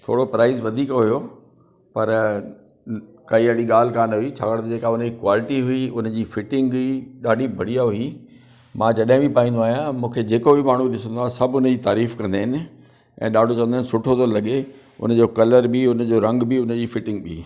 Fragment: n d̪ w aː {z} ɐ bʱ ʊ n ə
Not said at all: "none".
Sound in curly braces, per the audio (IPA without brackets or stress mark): s